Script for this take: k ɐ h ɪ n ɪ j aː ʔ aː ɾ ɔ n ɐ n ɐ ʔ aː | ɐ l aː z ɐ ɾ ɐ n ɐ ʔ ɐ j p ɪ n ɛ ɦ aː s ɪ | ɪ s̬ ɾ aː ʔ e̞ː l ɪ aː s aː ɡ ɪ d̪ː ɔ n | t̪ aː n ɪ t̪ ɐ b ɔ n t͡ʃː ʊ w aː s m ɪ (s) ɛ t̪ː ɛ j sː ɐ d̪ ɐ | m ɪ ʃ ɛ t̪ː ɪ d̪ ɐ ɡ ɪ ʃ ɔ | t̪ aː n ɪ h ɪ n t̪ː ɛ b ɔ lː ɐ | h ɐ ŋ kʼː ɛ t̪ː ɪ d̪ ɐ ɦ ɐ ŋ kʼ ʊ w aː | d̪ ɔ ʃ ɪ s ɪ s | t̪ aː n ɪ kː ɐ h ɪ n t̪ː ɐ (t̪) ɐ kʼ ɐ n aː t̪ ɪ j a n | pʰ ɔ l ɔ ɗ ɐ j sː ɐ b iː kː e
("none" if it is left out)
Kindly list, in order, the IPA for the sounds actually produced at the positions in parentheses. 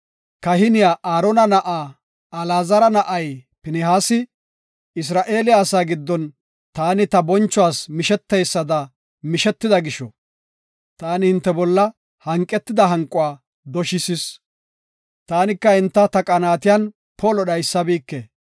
ʃ, t̪

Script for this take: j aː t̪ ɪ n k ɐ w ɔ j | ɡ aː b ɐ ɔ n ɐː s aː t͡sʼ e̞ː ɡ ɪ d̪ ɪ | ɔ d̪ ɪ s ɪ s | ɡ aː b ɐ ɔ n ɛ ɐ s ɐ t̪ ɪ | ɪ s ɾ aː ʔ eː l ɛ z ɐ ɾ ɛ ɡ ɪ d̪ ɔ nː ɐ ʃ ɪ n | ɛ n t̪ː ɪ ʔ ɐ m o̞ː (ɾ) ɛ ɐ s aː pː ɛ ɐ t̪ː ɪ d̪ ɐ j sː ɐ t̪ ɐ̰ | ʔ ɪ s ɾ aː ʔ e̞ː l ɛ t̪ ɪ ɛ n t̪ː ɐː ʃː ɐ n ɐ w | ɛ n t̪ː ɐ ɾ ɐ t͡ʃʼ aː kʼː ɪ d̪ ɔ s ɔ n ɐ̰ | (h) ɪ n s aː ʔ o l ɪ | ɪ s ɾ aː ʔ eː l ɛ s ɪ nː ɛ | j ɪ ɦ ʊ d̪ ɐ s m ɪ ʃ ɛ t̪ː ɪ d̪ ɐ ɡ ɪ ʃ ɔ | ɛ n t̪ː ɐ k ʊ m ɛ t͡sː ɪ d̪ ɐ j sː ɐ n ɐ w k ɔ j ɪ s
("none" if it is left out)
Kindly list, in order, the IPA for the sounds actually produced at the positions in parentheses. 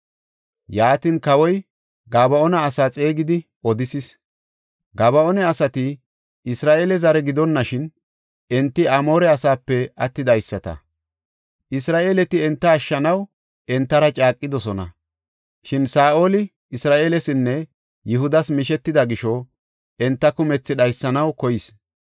ɾ, ʃ

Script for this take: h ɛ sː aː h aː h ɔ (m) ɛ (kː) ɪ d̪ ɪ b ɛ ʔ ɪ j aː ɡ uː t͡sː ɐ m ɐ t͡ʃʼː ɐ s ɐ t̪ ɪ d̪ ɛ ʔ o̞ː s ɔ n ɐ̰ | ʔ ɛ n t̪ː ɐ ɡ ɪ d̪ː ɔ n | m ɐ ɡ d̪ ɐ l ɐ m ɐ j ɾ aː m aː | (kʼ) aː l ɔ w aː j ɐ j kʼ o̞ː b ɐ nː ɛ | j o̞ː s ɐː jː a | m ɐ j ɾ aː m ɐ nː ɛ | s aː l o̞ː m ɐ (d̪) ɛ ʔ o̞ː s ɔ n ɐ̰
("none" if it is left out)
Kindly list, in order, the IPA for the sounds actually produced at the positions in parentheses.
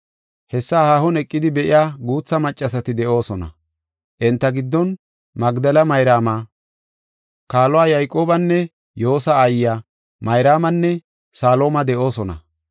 n, kʼː, k, d̪

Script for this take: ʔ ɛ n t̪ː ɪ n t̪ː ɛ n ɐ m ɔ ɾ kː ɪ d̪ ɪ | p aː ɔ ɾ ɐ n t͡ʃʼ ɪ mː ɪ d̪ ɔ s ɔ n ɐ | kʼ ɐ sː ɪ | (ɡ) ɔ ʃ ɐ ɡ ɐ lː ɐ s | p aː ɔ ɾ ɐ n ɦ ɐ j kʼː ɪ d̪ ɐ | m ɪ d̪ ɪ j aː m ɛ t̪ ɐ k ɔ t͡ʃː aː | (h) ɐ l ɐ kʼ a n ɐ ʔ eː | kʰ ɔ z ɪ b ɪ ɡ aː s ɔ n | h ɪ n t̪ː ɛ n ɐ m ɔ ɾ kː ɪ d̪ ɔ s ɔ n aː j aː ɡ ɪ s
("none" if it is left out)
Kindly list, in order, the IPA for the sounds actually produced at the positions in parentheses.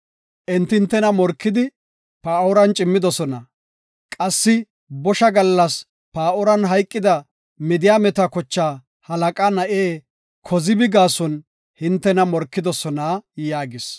b, h

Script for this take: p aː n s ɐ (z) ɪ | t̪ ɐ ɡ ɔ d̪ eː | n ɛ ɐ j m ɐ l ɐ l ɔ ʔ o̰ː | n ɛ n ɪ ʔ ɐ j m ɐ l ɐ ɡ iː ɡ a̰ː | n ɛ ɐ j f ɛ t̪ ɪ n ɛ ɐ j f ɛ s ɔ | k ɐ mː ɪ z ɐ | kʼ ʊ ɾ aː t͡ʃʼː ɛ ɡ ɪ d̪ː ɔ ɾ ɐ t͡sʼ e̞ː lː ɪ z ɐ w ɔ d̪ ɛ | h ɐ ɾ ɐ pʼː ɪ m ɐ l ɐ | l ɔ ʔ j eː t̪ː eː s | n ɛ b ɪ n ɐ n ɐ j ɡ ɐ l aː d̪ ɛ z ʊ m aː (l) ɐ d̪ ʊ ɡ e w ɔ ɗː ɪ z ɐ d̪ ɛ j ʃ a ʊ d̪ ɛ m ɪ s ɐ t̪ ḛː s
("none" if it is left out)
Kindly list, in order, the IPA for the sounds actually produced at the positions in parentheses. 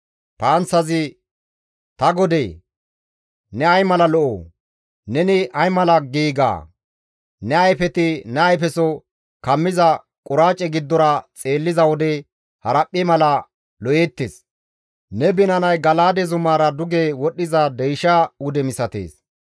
z, ɾ

